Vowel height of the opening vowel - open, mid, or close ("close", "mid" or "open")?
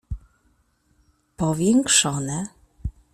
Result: mid